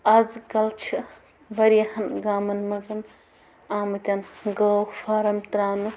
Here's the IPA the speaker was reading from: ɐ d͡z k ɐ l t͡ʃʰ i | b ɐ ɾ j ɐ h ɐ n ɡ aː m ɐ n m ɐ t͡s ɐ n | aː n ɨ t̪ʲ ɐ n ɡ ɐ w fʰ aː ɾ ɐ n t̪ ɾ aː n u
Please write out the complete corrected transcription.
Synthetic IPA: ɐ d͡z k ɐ l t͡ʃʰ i | b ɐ ɾ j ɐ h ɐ n ɡ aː m ɐ n m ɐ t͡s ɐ n | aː m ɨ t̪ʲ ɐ n ɡ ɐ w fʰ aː ɾ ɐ m t̪ ɾ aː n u

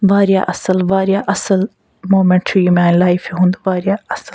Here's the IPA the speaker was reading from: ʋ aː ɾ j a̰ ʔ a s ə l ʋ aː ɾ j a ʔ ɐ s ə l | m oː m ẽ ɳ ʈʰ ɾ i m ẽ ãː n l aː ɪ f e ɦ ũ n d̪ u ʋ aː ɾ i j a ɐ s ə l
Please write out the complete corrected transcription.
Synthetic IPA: ʋ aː ɾ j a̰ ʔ ɐ s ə l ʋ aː ɾ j a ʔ ɐ s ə l | m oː m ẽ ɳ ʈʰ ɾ i m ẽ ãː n l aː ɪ f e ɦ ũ n d̪ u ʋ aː ɾ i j a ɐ s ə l

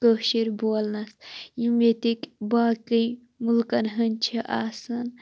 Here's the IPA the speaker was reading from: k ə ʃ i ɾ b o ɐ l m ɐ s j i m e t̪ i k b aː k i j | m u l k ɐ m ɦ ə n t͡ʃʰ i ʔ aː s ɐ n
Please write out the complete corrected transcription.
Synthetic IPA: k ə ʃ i ɾ b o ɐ l n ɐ s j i m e t̪ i k b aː k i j | m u l k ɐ n ɦ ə n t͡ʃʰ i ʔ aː s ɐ n

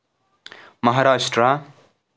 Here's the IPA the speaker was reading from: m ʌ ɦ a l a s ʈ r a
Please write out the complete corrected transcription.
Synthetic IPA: m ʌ ɦ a ɾ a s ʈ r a

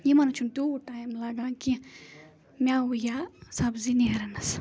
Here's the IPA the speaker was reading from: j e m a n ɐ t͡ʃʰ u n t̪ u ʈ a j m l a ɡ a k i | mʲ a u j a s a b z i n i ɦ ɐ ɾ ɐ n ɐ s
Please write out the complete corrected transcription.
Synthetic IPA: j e m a n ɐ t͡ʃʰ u n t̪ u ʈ a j m l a ɡ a k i | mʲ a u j a s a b z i n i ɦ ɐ ɾ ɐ n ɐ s

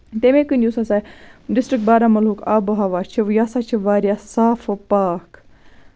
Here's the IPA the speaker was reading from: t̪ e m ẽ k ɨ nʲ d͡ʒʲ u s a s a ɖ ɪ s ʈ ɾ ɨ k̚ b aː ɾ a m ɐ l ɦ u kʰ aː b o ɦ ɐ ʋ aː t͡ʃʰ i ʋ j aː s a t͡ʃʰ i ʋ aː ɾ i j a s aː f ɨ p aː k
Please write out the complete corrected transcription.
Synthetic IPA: t̪ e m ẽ k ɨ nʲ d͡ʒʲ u s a s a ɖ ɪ s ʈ ɾ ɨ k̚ b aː ɾ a m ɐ l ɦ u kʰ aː b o ɦ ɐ ʋ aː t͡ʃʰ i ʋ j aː s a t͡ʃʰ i ʋ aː ɾ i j a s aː f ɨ p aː k

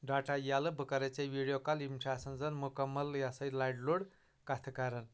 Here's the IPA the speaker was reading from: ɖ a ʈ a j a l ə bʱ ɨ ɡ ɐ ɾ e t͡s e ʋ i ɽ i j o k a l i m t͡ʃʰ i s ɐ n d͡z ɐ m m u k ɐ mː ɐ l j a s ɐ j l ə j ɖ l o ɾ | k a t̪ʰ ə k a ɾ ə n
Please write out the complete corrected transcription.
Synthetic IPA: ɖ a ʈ a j a l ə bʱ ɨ k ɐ ɾ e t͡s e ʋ i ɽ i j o k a l i m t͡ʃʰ a s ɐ n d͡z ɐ n m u k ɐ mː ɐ l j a s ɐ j l a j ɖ l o ɽ | k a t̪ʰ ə k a ɾ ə n

